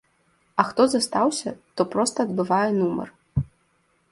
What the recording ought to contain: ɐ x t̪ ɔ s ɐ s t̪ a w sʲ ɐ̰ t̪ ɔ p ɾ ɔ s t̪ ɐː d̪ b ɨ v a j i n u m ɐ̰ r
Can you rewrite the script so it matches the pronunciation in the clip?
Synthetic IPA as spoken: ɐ x t̪ ɔ z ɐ s t̪ a w sʲ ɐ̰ t̪ ɔ p ɾ ɔ s t̪ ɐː d̪ b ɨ v a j ɛ n u m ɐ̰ r